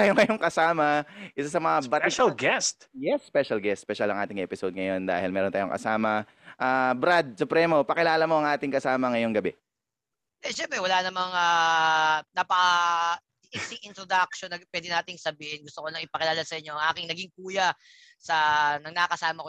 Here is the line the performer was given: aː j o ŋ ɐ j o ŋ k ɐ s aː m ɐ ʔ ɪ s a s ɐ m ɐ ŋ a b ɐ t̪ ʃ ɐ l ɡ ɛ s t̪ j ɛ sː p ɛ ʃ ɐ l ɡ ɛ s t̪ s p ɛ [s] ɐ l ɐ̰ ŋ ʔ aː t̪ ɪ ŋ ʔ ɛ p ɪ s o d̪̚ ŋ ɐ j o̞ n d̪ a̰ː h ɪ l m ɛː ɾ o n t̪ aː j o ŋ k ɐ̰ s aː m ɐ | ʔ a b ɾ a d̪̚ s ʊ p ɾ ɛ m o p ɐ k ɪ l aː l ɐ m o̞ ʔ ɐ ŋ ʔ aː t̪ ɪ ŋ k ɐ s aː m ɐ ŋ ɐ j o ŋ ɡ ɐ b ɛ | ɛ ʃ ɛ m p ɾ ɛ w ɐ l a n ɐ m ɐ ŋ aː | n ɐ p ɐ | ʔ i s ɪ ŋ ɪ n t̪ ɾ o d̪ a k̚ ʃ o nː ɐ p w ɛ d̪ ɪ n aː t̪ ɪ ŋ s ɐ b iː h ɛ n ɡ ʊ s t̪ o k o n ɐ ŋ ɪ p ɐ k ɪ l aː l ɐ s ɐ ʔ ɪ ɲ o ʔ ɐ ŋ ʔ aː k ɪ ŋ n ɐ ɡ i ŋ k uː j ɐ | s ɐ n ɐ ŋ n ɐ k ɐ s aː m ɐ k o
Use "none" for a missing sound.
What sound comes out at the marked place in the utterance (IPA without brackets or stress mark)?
ʃ